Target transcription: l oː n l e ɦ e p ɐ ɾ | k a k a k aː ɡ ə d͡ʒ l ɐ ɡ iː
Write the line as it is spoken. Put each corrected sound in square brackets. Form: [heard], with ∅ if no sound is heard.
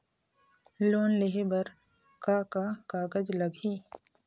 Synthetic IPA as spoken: l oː n l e ɦ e [b] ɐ ɾ | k a k a k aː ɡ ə d͡ʒ l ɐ ɡ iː